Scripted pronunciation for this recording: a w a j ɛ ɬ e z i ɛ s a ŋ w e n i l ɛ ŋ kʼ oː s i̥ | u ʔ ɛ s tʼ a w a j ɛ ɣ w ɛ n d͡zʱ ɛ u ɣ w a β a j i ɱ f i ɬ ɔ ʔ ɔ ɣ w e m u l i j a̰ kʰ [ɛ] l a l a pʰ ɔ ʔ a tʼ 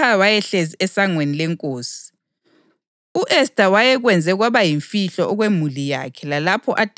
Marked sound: correct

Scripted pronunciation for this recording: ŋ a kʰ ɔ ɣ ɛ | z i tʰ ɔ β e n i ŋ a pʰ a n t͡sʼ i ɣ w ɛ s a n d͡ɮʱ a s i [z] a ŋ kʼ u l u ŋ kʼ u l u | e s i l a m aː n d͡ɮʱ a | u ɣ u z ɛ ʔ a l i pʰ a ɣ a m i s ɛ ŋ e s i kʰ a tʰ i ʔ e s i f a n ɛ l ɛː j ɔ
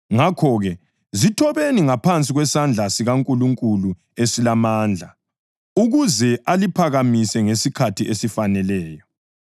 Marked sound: incorrect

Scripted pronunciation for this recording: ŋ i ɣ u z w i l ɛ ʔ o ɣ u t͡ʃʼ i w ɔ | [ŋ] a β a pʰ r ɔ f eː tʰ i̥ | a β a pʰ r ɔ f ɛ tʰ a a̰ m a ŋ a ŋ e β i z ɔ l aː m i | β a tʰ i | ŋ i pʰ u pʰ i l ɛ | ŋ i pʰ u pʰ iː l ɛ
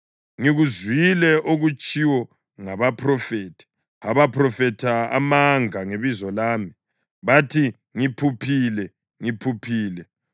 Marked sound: correct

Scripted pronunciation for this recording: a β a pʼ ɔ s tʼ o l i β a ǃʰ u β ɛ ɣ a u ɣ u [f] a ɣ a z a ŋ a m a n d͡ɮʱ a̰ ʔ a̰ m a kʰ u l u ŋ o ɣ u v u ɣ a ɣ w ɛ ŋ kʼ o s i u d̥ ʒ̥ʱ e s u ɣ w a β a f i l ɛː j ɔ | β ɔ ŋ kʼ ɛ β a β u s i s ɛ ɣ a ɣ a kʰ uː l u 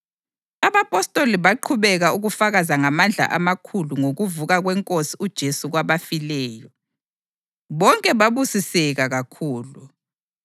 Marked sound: correct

